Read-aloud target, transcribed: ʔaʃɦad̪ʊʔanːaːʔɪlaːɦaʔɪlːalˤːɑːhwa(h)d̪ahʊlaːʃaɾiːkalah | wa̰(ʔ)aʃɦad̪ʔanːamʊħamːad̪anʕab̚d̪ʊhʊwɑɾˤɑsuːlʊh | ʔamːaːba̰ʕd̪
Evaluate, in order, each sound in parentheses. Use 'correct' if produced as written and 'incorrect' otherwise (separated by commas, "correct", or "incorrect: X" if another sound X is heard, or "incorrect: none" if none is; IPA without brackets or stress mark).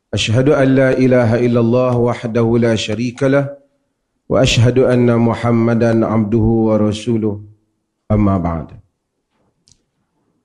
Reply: incorrect: ħ, correct